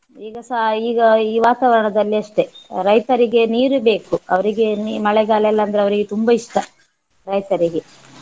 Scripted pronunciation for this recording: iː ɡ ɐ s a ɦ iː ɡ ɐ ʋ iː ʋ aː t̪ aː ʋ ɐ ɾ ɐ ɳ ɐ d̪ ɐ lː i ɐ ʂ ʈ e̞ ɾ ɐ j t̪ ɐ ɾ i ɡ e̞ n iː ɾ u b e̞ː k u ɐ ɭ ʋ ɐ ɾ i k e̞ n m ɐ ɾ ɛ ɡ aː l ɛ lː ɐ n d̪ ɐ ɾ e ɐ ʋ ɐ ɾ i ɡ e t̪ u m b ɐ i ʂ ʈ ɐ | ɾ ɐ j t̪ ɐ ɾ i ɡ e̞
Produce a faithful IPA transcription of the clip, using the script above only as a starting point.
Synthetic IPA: iː ɡ ɐ s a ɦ iː ɡ ɐ iː ʋ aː t̪ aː ʋ ɐ ɾ ɐ ɳ ɐ d̪ ɐ lː i ɐ ʂ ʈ e̞ ɾ ɐ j t̪ ɐ ɾ i ɡ e̞ n iː ɾ u b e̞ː k u ɐ ʋ ɐ ɾ i ɡ e̞ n m ɐ ɭ ɛ ɡ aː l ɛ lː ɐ n d̪ ɐ ɾ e ɐ ʋ ɐ ɾ i ɡ e t̪ u m b ɐ i ʂ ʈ ɐ | ɾ ɐ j t̪ ɐ ɾ i ɡ e̞